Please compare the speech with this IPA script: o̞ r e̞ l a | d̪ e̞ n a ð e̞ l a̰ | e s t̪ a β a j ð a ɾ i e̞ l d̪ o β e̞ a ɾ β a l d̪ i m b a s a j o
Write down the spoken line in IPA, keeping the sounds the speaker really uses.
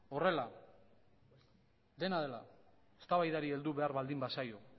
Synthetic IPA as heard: o̞ r e̞ l a | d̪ e̞ n a ð e̞ l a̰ | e s t̪ a β a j ð a ɾ i e̞ l d̪ u β e̞ a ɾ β a l d̪ i m b a s a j o